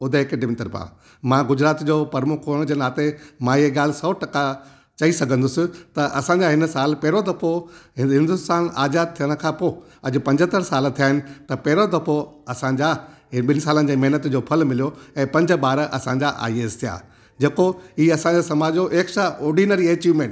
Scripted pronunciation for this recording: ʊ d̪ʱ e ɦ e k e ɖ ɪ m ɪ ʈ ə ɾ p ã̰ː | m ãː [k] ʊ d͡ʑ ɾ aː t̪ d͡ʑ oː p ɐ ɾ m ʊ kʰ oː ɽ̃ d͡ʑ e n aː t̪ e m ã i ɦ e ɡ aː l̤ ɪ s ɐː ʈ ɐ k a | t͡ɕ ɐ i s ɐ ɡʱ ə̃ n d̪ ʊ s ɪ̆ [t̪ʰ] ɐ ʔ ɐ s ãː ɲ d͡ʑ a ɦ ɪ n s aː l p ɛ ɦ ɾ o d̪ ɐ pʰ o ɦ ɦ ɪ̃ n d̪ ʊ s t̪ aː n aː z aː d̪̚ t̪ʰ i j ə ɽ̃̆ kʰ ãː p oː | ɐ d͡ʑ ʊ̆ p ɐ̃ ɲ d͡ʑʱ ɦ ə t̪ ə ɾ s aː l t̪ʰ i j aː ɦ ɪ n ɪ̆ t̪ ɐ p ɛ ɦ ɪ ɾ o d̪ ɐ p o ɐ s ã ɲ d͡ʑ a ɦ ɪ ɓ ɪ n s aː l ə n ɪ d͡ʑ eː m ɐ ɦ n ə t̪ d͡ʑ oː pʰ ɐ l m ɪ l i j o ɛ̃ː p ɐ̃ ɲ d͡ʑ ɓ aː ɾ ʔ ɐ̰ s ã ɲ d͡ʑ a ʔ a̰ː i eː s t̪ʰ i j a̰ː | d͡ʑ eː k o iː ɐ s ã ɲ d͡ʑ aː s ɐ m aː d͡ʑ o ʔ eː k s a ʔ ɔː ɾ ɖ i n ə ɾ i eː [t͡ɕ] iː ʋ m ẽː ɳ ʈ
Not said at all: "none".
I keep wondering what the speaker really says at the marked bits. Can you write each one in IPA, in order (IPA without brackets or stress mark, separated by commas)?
ɡ, t̪, t͡ɕ